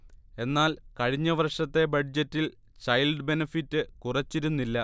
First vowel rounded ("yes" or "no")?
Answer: no